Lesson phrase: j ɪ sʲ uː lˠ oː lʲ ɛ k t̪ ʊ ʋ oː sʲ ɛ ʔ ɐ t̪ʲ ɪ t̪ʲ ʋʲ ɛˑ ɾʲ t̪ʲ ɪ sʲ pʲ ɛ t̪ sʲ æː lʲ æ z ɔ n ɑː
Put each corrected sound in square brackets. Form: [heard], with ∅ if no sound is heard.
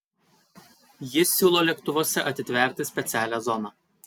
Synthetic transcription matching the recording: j ɪ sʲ uː lˠ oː lʲ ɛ k t̪ ʊ ʋ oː sʲ ɛ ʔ ɐ t̪ʲ ɪ t̪ʲ ʋʲ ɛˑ ɾʲ t̪ʲ ɪ sʲ pʲ ɛ t̪ sʲ æː lʲ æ z ɔ n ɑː